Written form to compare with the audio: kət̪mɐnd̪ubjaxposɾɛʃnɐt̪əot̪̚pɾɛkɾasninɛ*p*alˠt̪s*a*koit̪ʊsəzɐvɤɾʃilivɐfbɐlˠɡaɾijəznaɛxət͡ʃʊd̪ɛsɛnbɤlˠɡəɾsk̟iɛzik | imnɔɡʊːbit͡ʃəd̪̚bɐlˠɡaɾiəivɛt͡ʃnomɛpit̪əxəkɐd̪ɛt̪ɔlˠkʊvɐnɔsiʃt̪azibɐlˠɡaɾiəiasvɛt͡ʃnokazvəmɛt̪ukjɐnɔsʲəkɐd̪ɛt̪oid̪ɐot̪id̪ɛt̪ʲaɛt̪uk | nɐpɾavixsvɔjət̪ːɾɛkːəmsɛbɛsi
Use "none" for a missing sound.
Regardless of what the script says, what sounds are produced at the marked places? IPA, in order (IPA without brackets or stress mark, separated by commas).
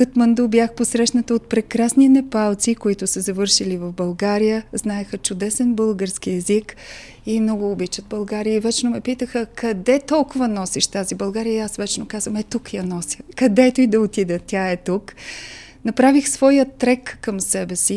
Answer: p, i